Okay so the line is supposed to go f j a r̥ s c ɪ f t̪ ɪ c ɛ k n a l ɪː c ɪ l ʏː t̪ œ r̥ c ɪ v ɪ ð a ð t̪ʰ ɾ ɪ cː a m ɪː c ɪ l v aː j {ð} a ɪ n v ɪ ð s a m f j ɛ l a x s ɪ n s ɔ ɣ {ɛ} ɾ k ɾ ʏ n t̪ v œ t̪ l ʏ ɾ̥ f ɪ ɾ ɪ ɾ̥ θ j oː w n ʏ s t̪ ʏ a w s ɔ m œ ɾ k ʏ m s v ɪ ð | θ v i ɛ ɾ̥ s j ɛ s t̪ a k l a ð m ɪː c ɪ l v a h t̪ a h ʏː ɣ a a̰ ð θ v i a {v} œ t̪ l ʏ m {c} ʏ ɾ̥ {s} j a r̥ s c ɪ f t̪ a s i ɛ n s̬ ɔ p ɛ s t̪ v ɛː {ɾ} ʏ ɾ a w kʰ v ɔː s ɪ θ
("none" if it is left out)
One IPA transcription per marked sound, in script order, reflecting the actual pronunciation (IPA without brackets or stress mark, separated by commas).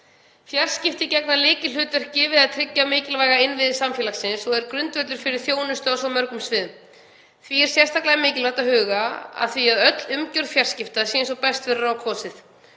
ɣ, ɛ, ð, c, f, ɾ